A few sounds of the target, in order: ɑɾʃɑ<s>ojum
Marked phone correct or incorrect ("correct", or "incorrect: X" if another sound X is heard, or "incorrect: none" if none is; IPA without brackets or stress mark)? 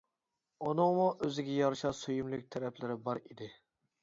correct